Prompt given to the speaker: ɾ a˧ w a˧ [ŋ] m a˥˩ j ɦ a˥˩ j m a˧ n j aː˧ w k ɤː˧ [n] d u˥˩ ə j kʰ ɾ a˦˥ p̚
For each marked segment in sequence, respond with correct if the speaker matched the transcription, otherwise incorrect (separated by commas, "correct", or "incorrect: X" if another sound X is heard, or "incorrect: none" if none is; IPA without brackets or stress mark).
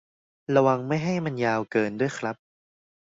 correct, correct